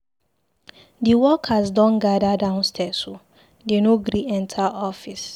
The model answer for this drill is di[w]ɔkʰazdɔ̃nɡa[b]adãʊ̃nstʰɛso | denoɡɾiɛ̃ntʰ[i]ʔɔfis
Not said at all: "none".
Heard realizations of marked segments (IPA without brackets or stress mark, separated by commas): w, d, a